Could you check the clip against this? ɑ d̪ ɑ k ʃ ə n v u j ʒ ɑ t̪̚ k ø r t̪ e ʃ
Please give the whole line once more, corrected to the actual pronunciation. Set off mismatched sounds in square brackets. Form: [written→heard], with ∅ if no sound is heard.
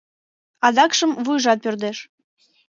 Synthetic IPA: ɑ d̪ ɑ k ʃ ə [n→m] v u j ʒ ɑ t̪̚ [k→p] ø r [t̪→d̪] e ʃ